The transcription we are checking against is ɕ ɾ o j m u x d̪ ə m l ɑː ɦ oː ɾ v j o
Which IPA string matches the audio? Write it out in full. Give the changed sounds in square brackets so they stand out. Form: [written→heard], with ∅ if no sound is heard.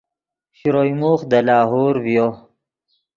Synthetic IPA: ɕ ɾ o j m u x d̪ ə [m→∅] l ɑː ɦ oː ɾ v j o